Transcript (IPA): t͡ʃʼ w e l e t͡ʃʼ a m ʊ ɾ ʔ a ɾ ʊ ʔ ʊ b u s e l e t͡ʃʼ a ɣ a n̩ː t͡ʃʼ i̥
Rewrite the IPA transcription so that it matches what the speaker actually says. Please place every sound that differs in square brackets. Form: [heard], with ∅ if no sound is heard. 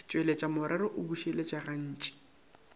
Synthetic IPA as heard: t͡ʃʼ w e l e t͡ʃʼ a m ʊ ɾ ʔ a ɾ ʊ ʔ ʊ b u [ʃ] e l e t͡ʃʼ a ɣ a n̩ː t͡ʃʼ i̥